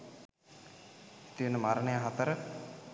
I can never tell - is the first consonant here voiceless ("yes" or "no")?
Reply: yes